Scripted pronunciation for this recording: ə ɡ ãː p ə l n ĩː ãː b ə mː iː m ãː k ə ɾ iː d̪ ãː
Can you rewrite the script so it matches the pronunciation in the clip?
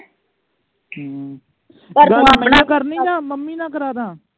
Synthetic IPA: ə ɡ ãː k ə ɾ n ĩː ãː m ə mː iː n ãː k ə ɾ aː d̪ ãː